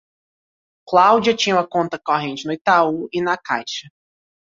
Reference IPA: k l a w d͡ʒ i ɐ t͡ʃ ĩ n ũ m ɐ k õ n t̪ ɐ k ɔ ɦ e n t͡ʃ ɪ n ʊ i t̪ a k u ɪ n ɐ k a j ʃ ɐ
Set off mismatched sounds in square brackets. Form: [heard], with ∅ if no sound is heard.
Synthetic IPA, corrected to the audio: k l a w d͡ʒ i ɐ t͡ʃ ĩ [ɲ] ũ m ɐ k õ n t̪ ɐ k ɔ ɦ [ẽ] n t͡ʃ ɪ n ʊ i t̪ a [∅] u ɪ n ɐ k a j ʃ ɐ